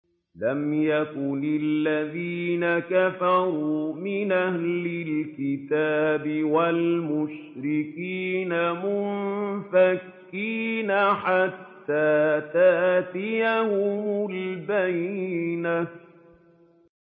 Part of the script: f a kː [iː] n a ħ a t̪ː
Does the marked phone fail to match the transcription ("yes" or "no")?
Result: no